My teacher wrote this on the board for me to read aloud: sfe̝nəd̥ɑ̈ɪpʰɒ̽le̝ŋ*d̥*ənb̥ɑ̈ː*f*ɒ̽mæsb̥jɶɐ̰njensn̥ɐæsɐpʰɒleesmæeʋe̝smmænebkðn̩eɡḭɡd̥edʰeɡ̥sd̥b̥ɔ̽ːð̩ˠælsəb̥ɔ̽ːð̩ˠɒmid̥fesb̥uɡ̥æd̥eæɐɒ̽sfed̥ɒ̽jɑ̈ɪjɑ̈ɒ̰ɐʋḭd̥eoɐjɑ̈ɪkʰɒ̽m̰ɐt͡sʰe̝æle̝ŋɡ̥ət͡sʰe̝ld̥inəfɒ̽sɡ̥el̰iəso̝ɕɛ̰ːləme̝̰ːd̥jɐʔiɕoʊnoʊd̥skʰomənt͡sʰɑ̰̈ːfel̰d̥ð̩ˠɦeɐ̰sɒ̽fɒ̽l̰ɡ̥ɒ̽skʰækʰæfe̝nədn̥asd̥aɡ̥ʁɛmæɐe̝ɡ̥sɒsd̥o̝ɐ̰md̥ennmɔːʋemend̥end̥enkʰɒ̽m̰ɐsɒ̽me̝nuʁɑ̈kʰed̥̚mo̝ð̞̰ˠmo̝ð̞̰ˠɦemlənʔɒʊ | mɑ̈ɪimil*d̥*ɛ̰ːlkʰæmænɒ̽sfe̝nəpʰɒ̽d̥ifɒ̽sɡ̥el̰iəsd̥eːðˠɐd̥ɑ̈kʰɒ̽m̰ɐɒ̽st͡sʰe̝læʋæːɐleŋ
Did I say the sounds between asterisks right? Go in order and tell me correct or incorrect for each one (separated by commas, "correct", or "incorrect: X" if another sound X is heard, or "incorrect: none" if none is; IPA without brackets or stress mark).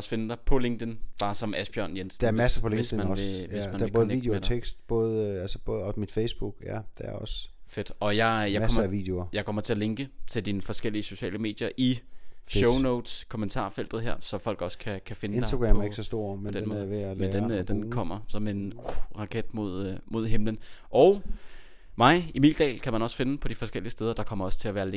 correct, incorrect: s, correct